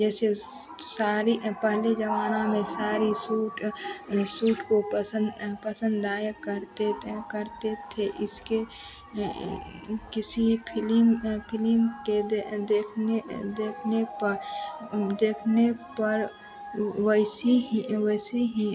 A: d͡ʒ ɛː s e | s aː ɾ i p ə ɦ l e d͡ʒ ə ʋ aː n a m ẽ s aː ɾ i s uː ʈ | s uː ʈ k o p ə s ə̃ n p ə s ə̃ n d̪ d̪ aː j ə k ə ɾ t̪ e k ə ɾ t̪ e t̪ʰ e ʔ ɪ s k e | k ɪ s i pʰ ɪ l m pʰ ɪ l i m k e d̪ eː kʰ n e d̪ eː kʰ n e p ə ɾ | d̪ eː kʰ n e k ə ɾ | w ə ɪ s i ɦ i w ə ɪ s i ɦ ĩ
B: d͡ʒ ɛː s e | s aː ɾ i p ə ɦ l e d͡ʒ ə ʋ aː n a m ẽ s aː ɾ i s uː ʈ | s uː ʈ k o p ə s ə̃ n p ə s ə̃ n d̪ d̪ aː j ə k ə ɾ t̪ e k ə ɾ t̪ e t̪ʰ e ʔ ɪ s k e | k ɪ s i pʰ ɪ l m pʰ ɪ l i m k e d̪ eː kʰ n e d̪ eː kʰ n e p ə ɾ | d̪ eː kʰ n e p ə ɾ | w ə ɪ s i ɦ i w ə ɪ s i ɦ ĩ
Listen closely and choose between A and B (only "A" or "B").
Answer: B